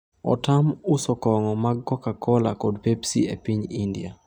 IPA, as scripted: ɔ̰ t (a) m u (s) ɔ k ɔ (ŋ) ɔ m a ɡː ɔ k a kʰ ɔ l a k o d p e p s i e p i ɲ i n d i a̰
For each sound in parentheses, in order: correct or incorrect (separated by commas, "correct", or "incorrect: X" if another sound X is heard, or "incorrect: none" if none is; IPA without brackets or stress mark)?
correct, correct, correct